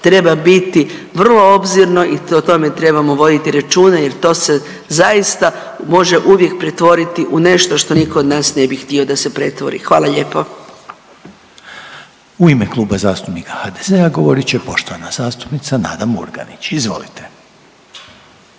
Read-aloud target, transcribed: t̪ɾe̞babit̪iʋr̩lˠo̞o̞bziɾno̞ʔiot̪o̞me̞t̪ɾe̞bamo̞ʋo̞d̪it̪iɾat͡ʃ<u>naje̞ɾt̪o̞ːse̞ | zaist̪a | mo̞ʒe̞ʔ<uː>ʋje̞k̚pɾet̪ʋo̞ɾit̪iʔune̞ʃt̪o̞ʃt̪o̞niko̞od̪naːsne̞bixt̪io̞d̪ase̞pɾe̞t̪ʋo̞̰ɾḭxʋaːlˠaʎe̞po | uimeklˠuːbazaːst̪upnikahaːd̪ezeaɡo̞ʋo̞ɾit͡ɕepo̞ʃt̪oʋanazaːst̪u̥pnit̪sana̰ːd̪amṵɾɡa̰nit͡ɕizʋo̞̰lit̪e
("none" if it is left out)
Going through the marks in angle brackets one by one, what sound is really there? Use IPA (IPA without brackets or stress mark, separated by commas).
uː, u